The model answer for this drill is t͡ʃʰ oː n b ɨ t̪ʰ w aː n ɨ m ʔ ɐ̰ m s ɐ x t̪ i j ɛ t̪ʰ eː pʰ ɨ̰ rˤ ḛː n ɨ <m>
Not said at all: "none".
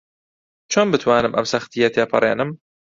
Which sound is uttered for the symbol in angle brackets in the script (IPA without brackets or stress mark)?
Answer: m